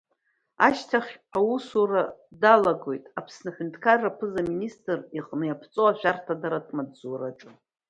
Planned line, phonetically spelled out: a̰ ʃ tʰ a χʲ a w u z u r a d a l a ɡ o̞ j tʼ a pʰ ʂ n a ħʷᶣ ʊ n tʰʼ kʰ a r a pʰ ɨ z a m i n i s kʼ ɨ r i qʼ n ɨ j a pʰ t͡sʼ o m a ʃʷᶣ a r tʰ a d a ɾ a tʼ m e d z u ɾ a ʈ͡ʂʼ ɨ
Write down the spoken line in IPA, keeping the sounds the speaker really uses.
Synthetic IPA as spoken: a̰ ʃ tʰ a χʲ a w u s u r a d a l a ɡ o̞ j tʼ a pʰ s n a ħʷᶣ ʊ n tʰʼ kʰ a r a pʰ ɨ z a m i n i s tʼ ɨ r i qʼ n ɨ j a pʰ t͡sʼ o a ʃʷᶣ a r tʰ a d a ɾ a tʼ m a d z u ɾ a ʈ͡ʂʼ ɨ